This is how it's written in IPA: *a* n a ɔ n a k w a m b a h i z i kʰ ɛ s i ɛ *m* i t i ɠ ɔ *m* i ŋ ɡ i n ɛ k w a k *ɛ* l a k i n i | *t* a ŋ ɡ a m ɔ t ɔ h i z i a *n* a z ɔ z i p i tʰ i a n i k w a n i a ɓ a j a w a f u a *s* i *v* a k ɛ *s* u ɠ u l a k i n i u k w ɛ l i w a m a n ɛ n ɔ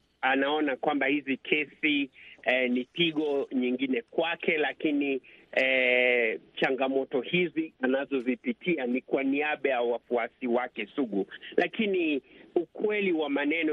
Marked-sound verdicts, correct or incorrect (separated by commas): correct, incorrect, incorrect, correct, incorrect, correct, correct, incorrect, correct